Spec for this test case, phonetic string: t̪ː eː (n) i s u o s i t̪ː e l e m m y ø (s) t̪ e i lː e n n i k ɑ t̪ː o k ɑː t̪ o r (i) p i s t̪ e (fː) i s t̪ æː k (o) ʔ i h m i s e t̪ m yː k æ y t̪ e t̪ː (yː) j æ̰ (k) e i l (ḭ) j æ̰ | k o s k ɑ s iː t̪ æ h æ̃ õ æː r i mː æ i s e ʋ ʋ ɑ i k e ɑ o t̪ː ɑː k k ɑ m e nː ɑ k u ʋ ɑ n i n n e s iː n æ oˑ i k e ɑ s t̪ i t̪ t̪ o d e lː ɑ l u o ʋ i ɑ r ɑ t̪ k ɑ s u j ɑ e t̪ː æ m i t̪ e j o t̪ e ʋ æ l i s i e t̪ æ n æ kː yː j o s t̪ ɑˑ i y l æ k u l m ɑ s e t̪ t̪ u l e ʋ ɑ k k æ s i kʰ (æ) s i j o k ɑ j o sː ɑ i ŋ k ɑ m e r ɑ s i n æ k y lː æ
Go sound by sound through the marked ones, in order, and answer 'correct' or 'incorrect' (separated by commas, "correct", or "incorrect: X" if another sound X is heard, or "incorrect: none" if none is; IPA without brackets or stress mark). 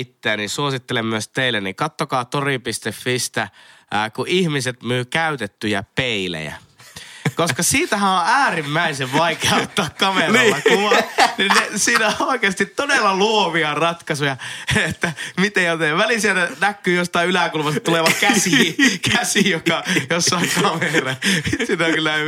correct, correct, correct, correct, incorrect: u, incorrect: y, incorrect: p, incorrect: ḛ, correct